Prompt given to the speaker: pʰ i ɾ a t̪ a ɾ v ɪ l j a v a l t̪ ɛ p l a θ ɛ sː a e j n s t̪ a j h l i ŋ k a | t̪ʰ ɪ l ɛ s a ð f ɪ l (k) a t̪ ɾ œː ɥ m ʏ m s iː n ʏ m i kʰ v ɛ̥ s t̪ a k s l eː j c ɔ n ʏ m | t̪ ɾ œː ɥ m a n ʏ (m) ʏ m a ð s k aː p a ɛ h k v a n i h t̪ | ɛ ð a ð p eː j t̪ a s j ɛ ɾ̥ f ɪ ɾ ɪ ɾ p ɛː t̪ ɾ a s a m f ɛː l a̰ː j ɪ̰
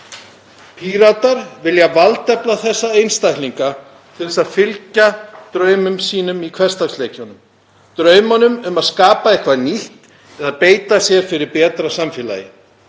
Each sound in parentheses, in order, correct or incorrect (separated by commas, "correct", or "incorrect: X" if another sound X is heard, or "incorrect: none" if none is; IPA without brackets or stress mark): incorrect: c, correct